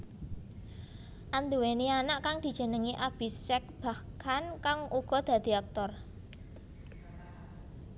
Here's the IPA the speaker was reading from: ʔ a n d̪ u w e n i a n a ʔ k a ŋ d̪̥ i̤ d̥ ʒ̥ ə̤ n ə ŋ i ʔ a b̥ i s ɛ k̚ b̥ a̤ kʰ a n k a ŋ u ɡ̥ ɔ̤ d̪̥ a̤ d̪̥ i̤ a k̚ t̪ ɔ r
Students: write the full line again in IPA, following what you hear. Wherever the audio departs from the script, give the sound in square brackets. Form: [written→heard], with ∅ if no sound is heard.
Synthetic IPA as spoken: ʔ a n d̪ u w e n i a n a ʔ k a ŋ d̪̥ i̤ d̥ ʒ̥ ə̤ n ə ŋ i ʔ a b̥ i s ɛ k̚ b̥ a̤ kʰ a n k a ŋ u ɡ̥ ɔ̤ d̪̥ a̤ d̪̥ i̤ a k̚ t̪ ɔ r